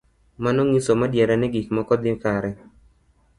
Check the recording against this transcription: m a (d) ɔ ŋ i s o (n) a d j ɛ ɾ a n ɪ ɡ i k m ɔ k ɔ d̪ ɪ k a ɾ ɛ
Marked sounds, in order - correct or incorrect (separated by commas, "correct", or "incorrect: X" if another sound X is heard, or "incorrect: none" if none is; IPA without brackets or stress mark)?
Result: incorrect: n, incorrect: m